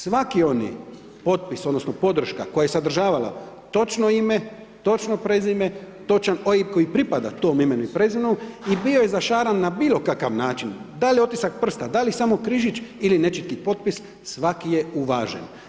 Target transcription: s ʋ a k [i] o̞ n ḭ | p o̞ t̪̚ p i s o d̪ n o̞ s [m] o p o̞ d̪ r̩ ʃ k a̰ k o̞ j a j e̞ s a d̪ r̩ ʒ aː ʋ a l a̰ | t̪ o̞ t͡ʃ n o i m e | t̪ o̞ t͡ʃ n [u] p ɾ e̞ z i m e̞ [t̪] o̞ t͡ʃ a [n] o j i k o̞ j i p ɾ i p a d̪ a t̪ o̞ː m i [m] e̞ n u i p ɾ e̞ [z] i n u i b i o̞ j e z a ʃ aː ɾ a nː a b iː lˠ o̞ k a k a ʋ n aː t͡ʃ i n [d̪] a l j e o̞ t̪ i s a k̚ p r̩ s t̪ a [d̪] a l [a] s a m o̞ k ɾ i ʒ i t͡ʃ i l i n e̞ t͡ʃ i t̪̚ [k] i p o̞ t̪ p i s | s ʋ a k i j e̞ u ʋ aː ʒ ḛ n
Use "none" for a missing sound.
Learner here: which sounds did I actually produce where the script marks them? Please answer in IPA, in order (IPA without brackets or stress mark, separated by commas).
i, n, o, t̪, n, m, z, d̪, d̪, i, k